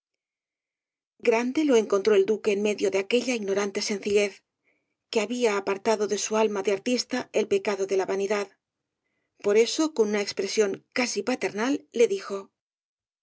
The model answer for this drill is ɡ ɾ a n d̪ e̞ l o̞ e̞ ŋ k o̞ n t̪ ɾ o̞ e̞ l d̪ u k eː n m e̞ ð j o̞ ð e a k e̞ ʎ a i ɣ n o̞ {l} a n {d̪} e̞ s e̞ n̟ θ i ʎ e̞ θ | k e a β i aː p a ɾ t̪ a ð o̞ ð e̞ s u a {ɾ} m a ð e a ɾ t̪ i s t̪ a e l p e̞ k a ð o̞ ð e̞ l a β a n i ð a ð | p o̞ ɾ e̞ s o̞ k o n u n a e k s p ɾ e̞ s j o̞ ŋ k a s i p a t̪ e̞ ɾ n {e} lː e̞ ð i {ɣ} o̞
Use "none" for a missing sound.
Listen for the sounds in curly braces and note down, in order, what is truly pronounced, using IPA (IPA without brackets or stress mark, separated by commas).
ɾ, t̪, l, a, x